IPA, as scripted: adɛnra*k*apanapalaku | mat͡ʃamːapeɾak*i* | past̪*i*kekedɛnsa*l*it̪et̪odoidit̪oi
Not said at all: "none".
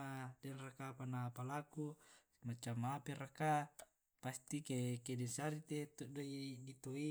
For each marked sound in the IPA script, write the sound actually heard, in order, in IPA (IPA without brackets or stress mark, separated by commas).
k, a, i, ɾ